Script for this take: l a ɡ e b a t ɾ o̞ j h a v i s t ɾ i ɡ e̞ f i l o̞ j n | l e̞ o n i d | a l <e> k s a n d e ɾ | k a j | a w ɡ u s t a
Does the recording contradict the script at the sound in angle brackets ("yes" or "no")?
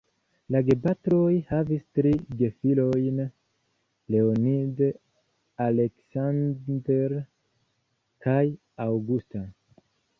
no